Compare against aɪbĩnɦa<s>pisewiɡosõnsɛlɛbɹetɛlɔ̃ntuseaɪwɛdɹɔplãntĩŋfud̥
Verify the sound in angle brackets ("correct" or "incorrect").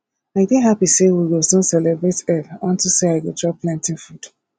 incorrect